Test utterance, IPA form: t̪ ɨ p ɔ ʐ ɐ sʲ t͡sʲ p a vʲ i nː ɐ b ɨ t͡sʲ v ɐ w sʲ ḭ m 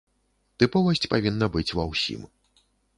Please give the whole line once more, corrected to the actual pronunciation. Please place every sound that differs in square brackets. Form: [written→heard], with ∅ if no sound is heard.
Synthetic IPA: t̪ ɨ p ɔ [ʐ→v] ɐ sʲ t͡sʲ p a vʲ i nː ɐ b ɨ t͡sʲ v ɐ w sʲ ḭ m